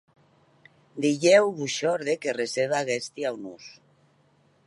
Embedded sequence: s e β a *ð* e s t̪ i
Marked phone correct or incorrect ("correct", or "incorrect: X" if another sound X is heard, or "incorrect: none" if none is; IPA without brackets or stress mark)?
incorrect: ɣ